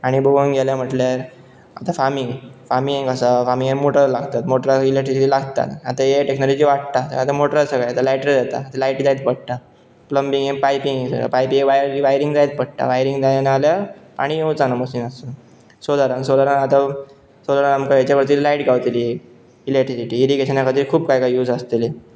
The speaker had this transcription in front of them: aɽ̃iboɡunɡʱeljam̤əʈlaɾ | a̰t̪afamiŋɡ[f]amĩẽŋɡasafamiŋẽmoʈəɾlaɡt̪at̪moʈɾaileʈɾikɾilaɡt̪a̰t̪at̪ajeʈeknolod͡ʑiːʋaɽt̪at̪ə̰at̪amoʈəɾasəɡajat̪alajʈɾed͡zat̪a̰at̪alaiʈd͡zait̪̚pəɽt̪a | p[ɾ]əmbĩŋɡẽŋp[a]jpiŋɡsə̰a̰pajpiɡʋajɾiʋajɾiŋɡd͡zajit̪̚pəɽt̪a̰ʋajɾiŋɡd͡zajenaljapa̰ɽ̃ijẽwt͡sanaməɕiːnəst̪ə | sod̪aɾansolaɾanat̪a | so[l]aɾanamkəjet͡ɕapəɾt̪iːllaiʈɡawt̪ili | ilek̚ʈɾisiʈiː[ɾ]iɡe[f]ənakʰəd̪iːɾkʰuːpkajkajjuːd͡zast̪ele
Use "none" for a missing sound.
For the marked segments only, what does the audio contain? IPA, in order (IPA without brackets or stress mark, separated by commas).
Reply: f, l, a, l, ɾ, ɕ